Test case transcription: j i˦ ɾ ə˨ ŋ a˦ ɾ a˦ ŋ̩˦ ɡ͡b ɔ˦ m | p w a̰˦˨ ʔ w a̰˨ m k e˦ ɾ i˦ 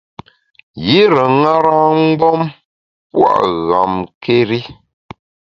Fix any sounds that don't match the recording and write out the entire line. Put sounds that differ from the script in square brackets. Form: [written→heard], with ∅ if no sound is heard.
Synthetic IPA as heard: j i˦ ɾ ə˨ ŋ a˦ ɾ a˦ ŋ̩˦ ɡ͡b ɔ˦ m | p w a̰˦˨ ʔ [w→ɣ] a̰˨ m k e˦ ɾ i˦